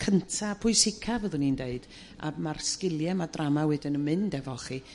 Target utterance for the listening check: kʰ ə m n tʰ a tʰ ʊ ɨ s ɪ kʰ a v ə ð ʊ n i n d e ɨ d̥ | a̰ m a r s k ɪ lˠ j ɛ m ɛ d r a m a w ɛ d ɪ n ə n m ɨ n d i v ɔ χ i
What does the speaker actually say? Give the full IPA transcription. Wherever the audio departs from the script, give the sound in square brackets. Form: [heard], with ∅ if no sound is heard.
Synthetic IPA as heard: kʰ ə [∅] n tʰ a [pʰ] ʊ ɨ s ɪ kʰ a v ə ð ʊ n i n d e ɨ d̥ | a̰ m a r s k ɪ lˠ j ɛ m [a] d r a m a w ɛ d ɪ n ə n m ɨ n d [ɛ] v ɔ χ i